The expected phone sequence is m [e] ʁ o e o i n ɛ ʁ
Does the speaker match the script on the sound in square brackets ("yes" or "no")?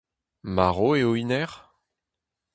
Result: no